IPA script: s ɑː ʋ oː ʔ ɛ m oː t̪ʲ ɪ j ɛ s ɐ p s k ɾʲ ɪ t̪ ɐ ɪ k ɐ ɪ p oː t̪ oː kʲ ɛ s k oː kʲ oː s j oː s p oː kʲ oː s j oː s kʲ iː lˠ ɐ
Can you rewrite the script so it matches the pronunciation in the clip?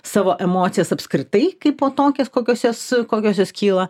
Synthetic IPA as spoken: s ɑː ʋ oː ʔ ɛ m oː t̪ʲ ɪ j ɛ s ɐ p s k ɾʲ ɪ t̪ ɐ ɪ k ɐ ɪ p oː t̪ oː kʲ ɛ s k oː kʲ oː s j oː s k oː kʲ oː s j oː s kʲ iː lˠ ɐ